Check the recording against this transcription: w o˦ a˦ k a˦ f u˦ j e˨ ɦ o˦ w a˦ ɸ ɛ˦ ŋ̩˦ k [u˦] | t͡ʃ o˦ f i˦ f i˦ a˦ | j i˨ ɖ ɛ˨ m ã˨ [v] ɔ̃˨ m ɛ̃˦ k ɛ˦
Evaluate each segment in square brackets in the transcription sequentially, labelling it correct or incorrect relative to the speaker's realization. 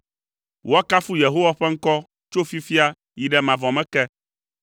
incorrect: ɔ˦, correct

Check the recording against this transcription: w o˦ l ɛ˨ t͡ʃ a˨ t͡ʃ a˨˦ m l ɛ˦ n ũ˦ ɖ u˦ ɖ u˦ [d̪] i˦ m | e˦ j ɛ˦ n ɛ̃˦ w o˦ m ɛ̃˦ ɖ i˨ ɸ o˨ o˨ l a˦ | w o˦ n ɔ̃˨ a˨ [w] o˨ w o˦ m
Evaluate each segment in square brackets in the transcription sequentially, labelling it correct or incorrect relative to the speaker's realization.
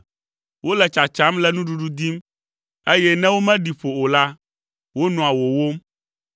correct, correct

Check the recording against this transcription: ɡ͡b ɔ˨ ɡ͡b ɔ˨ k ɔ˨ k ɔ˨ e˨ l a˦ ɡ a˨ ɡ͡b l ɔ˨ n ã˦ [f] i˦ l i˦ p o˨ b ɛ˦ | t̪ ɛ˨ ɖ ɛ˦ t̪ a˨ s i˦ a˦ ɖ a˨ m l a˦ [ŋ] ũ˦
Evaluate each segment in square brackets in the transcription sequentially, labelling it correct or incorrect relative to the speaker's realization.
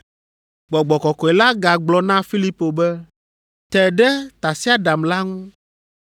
correct, correct

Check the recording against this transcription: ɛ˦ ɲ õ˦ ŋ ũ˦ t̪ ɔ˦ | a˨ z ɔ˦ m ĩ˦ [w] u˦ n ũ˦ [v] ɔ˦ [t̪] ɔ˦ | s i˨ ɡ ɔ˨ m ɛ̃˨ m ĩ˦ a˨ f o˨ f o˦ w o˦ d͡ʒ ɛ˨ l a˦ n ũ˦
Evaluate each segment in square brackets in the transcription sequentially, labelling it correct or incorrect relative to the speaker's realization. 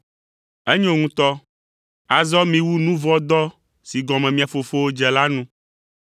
correct, correct, incorrect: d̪

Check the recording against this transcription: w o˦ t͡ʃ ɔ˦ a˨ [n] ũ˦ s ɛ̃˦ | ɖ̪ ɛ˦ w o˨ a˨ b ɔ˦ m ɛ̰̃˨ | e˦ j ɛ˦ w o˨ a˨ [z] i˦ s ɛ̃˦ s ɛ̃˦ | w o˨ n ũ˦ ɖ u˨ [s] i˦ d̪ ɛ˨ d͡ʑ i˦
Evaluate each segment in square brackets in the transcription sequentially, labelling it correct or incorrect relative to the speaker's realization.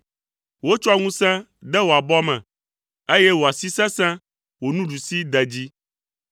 incorrect: ŋ, incorrect: s, correct

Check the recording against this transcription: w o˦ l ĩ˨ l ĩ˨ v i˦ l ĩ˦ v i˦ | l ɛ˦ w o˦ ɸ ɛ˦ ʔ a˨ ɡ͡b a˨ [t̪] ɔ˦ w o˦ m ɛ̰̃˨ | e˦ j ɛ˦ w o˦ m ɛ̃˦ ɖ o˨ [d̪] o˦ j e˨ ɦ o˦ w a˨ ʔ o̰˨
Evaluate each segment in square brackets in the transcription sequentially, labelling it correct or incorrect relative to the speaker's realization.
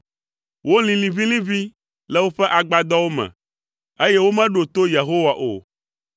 incorrect: d̪, incorrect: t̪

